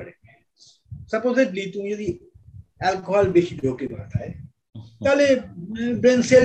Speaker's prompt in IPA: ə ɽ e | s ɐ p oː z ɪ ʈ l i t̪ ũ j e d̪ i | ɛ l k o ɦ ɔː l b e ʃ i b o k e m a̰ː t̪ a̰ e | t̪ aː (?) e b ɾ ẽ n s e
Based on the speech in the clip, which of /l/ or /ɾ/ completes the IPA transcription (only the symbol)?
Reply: l